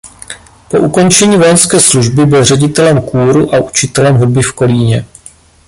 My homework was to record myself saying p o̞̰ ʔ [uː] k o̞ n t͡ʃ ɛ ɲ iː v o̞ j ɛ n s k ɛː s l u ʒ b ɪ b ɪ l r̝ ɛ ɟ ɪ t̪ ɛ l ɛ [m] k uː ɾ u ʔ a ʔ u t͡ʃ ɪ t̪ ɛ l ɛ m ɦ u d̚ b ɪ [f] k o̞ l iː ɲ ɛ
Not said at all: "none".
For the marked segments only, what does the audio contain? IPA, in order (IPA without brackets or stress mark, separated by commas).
u, m, f